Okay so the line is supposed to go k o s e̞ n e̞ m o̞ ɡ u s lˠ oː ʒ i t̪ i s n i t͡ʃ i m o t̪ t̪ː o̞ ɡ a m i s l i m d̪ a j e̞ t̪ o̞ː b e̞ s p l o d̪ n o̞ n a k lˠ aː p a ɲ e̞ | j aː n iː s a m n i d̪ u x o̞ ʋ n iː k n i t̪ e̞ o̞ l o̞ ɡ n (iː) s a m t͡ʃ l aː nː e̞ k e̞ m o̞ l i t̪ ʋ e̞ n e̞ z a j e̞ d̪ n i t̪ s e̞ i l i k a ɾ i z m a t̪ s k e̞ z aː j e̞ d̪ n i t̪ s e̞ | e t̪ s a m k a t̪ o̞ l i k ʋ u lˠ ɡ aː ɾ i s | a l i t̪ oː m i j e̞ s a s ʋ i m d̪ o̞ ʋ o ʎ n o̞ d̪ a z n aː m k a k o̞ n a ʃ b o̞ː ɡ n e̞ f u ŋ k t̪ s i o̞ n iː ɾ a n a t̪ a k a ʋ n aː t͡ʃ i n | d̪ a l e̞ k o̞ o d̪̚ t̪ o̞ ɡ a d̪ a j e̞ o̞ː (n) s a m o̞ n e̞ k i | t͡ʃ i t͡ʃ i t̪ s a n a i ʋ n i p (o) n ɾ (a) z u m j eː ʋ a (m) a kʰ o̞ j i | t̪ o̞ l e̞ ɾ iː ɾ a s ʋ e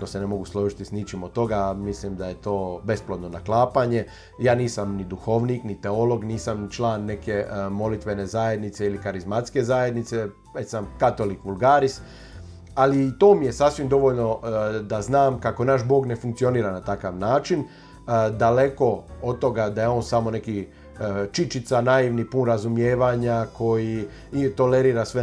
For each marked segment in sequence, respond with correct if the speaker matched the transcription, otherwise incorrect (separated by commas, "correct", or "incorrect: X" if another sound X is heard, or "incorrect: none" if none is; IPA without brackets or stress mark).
correct, correct, incorrect: u, correct, incorrect: ɲ